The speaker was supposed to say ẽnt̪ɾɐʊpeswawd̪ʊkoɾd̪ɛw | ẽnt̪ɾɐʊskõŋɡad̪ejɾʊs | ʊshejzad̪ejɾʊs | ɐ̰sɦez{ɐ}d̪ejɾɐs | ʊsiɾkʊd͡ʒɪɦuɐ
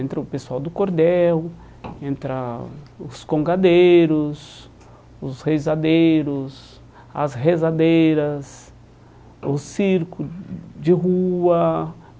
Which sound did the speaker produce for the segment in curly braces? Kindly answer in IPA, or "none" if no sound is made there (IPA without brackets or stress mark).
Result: a